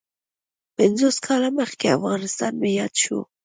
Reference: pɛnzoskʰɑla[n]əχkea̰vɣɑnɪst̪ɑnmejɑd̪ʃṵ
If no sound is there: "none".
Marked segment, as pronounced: m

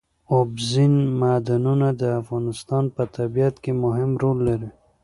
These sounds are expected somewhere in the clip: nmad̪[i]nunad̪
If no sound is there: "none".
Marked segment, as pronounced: a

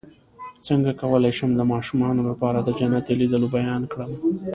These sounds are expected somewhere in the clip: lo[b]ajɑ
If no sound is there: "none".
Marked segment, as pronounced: b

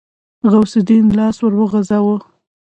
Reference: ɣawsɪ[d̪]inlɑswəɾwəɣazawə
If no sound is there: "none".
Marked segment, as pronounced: d̪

